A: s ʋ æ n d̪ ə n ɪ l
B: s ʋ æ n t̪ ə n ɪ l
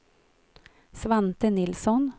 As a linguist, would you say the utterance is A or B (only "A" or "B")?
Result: B